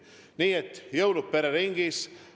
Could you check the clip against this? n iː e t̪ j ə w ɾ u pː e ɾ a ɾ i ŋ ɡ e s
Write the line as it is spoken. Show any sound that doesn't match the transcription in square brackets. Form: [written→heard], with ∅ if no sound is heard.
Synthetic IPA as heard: n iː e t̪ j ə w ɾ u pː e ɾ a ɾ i ŋ ɡ [e→i] s